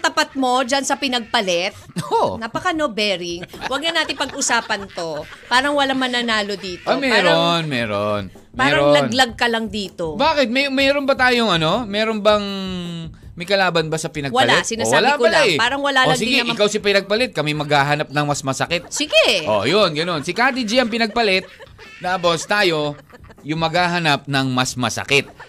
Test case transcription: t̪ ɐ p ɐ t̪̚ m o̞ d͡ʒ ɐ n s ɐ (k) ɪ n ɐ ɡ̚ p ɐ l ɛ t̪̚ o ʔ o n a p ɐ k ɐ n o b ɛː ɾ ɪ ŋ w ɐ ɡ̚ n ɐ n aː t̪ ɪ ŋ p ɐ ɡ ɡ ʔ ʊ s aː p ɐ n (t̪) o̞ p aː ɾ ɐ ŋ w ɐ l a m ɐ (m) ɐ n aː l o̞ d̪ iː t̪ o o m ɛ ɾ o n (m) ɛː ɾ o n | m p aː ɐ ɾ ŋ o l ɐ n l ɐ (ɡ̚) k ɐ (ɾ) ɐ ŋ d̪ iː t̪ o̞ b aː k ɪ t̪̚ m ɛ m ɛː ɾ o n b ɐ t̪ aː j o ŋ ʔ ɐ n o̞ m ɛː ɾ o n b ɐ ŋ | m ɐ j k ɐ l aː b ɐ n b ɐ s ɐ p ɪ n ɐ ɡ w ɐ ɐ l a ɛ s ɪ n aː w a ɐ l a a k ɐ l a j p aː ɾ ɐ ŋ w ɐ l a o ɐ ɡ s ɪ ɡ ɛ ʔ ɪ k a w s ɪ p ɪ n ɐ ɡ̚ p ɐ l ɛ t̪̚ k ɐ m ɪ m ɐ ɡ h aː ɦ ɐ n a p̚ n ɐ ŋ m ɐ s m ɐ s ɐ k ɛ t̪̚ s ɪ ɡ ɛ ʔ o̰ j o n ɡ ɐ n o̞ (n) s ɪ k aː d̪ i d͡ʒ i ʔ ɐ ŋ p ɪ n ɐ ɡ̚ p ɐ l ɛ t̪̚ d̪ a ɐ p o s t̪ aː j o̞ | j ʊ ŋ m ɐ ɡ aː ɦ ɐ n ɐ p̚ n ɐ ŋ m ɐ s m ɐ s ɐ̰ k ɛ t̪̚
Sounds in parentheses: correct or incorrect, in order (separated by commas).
incorrect, correct, incorrect, correct, correct, incorrect, correct